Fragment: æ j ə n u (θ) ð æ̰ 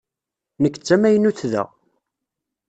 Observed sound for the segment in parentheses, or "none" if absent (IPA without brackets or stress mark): θ